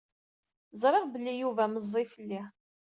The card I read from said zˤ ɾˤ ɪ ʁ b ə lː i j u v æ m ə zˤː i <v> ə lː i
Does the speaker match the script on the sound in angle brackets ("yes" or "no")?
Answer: no